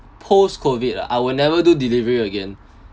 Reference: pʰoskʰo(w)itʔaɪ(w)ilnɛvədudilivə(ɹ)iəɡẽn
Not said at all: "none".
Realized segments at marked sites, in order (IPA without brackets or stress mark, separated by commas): v, w, ɹ